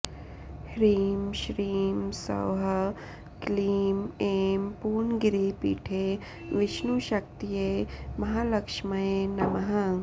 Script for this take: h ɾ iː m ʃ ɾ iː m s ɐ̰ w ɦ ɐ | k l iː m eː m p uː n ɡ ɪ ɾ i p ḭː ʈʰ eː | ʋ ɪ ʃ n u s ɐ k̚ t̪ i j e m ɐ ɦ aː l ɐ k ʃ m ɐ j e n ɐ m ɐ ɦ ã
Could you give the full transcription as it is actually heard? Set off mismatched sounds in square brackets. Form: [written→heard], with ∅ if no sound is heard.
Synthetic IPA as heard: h ɾ iː m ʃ ɾ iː m s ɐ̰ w ɦ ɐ | k l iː m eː m p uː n ɡ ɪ ɾ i p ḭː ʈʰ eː | ʋ ɪ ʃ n u [s→ʃ] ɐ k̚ t̪ i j e m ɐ ɦ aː l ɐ k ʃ m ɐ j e n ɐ m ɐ ɦ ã